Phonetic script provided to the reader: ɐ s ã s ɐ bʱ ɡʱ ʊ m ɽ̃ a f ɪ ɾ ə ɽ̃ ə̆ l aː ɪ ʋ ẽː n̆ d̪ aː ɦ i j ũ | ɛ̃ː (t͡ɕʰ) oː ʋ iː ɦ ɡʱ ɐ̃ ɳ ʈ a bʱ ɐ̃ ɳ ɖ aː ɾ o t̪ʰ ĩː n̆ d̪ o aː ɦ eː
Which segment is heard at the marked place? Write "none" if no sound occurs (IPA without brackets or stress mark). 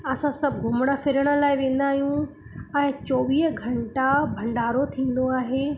t͡ɕ